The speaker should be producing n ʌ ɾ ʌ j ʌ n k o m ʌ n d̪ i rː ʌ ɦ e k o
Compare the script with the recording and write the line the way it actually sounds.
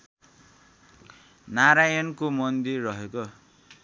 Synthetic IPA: n a ɾ a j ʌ n k o m ʌ n d̪ i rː ʌ ɦ e k o